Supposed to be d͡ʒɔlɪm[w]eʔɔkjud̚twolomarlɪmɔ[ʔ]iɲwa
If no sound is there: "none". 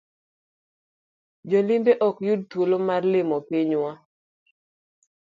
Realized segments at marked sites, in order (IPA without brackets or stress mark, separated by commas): b, p